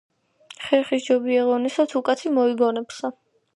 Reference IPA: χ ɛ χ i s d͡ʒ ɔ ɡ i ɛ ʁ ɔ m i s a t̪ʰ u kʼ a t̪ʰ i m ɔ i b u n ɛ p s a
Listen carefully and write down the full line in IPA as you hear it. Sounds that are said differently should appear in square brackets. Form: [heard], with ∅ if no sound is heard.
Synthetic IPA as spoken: χ ɛ χ i s d͡ʒ ɔ [b] i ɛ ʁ ɔ [n] i s a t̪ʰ u kʼ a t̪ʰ i m ɔ i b [ɔ] n ɛ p s a